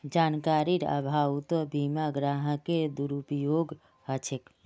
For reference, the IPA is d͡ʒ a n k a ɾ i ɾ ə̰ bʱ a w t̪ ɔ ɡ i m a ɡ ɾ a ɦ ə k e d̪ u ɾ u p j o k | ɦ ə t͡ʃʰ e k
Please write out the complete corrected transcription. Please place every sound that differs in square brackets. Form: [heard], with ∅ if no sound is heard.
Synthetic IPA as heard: d͡ʒ a n k a ɾ i ɾ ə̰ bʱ a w t̪ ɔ [b] i m a ɡ ɾ a ɦ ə k e d̪ u ɾ u p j o [ɡ] | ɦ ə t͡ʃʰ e k